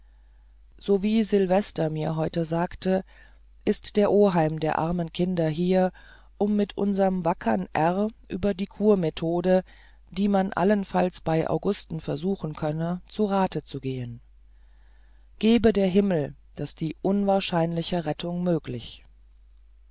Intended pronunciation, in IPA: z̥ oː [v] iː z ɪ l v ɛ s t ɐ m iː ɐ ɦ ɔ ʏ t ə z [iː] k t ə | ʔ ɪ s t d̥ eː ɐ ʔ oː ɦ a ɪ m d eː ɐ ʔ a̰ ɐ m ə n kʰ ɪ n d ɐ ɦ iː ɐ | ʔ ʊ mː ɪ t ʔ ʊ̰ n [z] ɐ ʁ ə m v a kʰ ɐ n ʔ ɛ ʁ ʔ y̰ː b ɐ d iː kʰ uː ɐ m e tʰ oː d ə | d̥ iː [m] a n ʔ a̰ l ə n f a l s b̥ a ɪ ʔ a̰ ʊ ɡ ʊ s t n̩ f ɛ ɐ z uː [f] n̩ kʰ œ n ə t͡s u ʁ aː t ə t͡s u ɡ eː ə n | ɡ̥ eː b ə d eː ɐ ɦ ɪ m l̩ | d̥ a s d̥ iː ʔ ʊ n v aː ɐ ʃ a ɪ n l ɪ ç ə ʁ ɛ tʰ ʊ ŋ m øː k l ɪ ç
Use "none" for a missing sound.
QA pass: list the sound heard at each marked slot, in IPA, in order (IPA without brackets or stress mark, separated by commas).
v, aː, z, m, x